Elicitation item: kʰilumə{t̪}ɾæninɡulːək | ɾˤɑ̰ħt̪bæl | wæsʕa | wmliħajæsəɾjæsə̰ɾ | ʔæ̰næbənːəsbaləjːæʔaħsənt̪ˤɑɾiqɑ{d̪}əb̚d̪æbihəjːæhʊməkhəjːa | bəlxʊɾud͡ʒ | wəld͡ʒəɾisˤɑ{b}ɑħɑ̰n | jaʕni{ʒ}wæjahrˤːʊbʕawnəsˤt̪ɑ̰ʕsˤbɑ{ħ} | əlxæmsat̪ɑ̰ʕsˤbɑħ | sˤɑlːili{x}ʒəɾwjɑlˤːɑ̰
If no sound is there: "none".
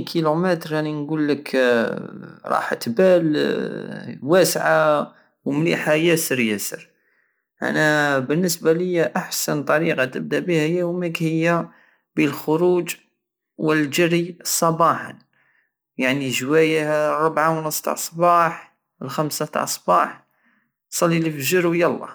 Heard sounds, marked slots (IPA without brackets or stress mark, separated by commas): t̪, t̪, b, ʒ, ħ, f